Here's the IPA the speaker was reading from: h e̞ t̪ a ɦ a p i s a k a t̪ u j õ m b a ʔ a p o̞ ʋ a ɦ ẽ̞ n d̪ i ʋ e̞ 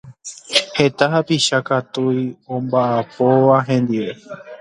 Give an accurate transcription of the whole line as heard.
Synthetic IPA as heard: h e̞ t̪ a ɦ a p i ʃ a k a t̪ u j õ m b a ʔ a p o̞ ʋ a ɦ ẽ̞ n d̪ i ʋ e̞